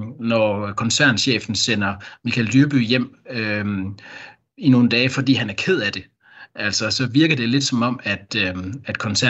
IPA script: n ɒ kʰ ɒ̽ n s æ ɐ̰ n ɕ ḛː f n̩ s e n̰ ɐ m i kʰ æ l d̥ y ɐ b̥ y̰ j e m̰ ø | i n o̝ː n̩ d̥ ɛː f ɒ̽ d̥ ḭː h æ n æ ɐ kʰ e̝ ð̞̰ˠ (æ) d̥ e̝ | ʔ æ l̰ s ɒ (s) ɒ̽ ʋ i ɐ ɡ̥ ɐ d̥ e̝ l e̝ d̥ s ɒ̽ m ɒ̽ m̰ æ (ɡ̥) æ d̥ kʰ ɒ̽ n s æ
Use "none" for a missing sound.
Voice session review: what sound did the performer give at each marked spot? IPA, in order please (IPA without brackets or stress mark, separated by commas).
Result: æ, s, d̥